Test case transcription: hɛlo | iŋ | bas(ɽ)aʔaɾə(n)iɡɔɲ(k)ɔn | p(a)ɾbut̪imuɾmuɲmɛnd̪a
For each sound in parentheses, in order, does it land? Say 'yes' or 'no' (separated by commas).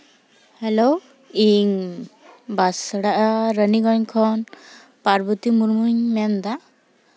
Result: yes, yes, no, yes